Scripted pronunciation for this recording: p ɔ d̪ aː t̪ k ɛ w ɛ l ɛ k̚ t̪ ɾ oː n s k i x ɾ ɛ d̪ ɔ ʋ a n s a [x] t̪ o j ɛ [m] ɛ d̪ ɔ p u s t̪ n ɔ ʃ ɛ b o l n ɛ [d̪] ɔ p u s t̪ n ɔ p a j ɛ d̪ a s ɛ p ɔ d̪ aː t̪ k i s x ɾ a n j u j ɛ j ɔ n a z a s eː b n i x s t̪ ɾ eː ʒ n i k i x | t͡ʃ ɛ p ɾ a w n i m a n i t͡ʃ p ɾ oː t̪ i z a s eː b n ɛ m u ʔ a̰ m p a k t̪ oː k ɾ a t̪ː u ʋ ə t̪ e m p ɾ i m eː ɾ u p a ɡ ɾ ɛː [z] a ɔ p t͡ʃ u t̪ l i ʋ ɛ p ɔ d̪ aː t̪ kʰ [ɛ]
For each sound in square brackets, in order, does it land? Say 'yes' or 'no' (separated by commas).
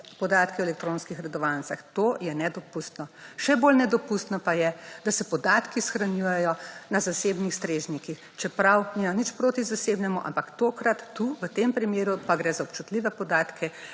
yes, no, yes, yes, yes